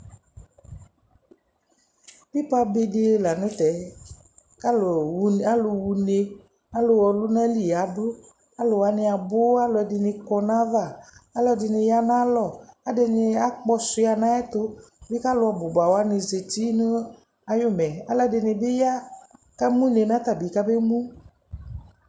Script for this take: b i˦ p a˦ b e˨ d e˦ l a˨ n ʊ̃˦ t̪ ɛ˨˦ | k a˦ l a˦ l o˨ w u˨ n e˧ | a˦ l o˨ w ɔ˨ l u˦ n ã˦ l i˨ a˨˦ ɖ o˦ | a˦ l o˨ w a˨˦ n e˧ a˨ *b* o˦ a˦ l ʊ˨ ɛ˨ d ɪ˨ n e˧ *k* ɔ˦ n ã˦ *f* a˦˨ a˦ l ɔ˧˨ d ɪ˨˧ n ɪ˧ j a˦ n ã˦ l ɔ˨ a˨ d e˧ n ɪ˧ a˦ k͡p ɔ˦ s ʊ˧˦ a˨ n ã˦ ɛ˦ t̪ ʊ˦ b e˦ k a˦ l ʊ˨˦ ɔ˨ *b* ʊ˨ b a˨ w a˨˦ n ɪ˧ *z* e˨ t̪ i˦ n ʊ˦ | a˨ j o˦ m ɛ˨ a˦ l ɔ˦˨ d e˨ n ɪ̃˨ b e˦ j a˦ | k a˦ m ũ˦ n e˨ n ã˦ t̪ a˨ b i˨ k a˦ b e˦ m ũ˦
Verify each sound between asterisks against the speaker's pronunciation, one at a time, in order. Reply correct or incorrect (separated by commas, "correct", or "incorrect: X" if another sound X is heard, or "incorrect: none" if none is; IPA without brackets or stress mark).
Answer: correct, correct, incorrect: v, correct, correct